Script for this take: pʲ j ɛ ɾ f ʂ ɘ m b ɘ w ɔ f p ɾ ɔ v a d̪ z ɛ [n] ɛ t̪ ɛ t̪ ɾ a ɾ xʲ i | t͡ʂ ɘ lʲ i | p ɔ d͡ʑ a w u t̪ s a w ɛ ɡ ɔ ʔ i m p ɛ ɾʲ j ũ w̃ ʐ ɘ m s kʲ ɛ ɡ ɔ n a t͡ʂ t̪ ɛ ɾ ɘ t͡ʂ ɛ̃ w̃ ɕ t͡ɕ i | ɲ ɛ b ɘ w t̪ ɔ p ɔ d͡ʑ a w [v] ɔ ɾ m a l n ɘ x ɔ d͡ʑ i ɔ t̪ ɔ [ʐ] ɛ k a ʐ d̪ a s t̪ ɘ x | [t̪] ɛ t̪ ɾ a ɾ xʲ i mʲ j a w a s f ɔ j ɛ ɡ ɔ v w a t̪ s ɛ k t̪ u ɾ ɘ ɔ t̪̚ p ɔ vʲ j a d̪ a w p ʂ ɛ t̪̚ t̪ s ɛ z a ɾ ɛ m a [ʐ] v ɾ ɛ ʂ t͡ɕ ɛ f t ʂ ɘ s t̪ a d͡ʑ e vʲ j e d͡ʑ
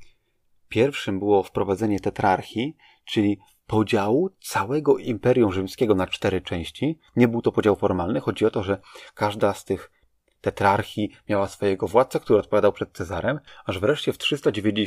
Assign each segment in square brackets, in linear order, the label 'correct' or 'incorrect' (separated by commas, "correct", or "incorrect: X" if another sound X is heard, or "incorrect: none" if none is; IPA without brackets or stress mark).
incorrect: ɲ, incorrect: f, correct, correct, correct